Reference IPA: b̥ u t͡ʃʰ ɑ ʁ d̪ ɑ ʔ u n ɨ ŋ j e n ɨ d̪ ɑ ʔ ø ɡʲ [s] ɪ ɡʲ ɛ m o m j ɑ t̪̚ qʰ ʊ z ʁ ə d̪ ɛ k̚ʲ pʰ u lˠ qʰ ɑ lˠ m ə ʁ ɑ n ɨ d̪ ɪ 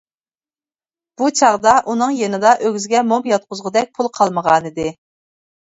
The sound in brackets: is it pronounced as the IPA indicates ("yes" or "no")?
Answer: no